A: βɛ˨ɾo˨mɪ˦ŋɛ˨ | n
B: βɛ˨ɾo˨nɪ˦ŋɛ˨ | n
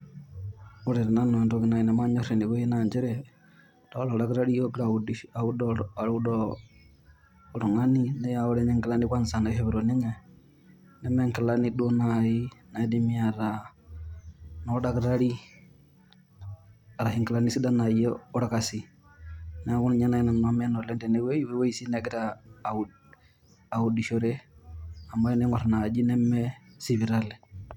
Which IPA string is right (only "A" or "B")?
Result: B